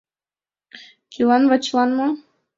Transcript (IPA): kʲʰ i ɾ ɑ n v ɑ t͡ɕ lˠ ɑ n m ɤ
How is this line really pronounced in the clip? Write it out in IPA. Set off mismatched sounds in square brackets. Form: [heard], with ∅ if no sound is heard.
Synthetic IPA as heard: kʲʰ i [l] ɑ n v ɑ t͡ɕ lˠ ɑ n m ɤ